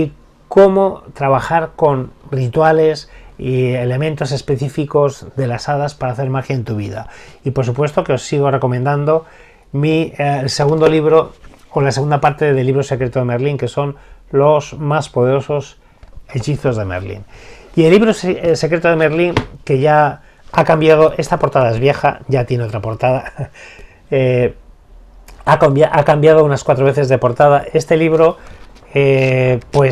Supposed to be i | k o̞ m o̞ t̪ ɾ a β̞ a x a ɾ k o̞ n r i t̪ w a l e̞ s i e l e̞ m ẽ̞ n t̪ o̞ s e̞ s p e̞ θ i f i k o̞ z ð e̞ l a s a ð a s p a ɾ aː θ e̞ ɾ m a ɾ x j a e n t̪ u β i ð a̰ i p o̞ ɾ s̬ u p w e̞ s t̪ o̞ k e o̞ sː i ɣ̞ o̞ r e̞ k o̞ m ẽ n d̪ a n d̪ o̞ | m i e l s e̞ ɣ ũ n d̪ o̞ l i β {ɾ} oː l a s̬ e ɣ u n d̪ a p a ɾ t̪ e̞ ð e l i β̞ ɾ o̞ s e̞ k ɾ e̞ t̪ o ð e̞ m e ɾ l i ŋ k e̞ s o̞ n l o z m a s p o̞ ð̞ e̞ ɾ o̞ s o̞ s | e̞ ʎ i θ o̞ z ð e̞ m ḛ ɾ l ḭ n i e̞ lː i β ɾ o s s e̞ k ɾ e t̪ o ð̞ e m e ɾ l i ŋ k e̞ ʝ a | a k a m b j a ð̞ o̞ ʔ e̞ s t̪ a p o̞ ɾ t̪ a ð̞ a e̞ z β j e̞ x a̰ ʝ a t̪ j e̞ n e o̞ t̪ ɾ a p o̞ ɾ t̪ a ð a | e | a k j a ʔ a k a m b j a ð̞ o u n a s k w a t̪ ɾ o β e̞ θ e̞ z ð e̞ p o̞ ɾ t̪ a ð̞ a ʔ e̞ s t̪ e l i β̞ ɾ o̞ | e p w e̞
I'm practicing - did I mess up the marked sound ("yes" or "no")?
no